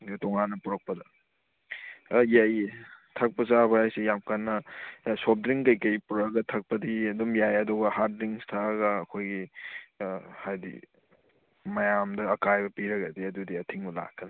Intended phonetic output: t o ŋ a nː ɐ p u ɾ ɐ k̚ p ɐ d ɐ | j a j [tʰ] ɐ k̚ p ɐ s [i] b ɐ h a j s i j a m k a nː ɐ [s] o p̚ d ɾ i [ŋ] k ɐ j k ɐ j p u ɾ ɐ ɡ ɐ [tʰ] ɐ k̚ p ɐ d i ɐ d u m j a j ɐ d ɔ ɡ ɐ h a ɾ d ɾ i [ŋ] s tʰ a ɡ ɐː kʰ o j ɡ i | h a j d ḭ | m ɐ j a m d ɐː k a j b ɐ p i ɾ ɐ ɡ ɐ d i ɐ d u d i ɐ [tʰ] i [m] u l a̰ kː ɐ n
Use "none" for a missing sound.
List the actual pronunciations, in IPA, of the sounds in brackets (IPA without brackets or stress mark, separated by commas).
tʰ, a, s, ŋ, tʰ, ŋ, tʰ, ŋ